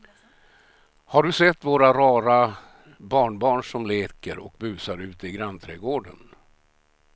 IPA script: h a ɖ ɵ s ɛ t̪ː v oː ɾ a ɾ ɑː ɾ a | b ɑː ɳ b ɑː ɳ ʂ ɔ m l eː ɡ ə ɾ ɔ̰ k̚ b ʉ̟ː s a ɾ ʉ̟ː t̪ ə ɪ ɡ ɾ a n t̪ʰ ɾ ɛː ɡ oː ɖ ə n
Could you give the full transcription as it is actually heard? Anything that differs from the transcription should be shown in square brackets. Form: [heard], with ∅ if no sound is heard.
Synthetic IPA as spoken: h a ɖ ɵ s ɛ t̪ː v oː ɾ a ɾ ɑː ɾ a | b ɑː ɳ b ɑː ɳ ʂ ɔ m l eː [k] ə ɾ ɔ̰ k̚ b ʉ̟ː s a ɾ ʉ̟ː t̪ ə ɪ ɡ ɾ a n t̪ʰ ɾ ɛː ɡ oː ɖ ə n